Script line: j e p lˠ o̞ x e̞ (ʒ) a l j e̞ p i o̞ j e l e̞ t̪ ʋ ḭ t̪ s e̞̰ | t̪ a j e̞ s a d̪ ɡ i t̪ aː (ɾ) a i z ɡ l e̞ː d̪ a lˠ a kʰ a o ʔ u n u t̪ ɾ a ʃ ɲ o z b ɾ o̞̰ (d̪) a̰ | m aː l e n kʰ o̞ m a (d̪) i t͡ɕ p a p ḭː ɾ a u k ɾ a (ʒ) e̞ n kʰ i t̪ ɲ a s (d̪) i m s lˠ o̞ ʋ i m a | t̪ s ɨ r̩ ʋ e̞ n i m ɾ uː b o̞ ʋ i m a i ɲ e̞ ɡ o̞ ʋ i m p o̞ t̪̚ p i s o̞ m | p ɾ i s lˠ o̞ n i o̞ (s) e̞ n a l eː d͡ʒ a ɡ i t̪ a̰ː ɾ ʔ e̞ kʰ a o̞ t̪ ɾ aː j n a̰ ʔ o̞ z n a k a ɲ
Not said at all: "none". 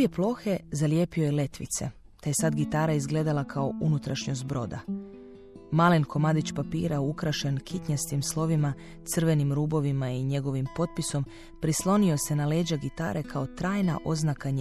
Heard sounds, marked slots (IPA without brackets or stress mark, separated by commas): z, ɾ, d̪, d̪, ʃ, t̪, s